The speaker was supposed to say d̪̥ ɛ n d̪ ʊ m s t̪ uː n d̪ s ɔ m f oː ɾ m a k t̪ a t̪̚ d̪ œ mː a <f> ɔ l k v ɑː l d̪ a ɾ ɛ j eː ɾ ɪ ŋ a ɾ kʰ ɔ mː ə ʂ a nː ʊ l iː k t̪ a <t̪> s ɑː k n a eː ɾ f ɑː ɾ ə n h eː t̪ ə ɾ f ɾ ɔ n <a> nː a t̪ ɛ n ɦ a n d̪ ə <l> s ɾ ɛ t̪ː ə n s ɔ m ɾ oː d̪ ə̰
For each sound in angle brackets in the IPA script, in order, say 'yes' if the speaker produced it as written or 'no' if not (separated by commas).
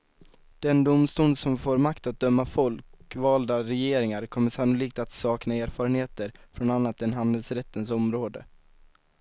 yes, yes, yes, yes